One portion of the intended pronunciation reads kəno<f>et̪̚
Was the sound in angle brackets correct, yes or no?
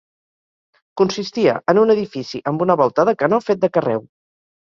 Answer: yes